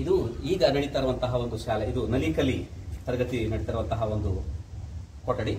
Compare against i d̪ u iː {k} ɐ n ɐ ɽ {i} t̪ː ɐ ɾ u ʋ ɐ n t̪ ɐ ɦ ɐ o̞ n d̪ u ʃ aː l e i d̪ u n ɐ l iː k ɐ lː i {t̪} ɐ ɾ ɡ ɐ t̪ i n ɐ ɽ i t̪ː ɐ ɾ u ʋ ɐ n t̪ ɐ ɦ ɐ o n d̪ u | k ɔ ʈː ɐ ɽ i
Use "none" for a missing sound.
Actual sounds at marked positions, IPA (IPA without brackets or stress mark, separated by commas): ɡ, i, t̪